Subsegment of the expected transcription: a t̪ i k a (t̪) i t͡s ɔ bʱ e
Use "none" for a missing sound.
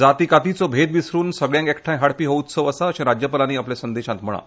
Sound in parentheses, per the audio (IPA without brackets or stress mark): t̪